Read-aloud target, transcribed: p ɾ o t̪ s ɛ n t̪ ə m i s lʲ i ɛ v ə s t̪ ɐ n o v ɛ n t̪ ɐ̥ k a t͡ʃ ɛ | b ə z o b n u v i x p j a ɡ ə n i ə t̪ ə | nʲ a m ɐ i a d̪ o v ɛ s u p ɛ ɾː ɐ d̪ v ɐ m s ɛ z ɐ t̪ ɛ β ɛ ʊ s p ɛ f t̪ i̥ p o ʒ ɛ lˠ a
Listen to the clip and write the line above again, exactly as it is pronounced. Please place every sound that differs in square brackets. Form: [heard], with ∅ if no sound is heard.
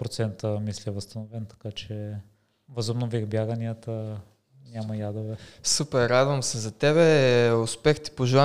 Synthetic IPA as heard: p ɾ o t̪ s ɛ n t̪ ə m i s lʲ i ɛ v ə s t̪ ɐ n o v ɛ n t̪ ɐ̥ k a t͡ʃ ɛ | [v] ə z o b n [o] v i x [b] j a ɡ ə n i ə t̪ ə | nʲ a m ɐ [j] a d̪ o v ɛ s u p ɛ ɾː [a] d̪ v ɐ m s ɛ z ɐ t̪ ɛ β ɛ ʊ s p ɛ [x] t̪ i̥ p o ʒ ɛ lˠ a